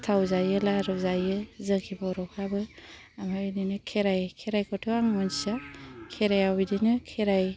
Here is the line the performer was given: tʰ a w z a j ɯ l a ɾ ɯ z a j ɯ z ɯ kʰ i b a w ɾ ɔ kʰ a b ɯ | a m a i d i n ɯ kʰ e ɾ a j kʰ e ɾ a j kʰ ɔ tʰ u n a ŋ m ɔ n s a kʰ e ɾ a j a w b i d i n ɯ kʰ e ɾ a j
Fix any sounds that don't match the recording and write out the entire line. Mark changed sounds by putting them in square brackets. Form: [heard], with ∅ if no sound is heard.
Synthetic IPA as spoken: tʰ a w z a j ɯ l a ɾ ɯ z a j ɯ z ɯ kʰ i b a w ɾ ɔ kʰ a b ɯ | a m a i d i n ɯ kʰ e ɾ a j kʰ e ɾ a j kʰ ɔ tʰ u [∅] a ŋ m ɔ n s a kʰ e ɾ a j a w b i d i n ɯ kʰ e ɾ a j